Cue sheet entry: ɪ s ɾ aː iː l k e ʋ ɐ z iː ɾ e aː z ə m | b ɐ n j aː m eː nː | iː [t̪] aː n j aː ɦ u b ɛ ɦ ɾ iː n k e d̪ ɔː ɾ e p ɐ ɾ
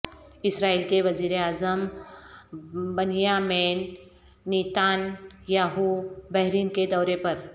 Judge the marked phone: correct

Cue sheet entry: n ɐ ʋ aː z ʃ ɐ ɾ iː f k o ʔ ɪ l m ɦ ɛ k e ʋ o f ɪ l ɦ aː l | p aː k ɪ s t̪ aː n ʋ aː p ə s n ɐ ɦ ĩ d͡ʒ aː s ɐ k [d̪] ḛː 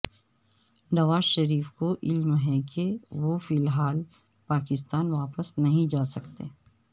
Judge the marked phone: incorrect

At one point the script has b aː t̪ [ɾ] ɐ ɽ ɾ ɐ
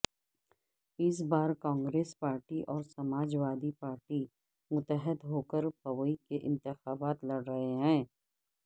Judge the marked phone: incorrect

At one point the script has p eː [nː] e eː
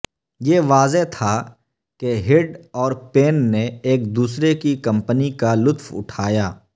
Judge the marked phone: correct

